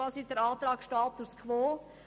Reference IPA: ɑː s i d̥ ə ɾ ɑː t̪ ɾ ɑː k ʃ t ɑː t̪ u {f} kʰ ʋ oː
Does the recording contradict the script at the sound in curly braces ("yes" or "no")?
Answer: yes